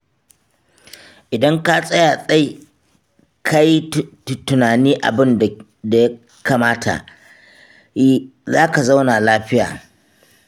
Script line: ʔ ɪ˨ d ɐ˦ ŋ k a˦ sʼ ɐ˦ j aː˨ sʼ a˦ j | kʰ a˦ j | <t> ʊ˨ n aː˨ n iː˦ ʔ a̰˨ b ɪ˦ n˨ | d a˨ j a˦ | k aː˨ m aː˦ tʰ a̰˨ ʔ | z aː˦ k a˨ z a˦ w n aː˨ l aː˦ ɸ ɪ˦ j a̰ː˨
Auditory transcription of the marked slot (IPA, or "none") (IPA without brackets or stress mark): t